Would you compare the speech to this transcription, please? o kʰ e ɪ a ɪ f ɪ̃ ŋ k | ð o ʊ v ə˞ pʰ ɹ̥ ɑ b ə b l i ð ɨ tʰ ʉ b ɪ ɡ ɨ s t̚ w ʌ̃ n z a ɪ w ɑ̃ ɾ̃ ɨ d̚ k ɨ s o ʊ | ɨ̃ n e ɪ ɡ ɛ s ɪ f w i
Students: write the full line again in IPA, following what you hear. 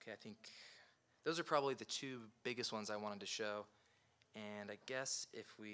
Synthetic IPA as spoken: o kʰ e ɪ a ɪ θ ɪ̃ ŋ k | ð o ʊ z ə˞ pʰ ɹ̥ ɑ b ə b l i ð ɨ tʰ ʉ b ɪ ɡ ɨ s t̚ w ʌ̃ n z a ɪ w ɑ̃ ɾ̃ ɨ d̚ t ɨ ʃ o ʊ | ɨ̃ n a ɪ ɡ ɛ s ɪ f w i